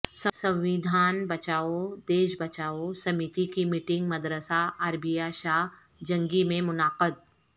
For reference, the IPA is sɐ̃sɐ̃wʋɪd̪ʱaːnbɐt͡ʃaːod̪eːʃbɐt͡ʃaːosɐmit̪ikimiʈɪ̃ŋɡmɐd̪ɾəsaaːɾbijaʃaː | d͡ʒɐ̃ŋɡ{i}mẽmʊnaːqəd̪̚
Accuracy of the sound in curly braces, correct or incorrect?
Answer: correct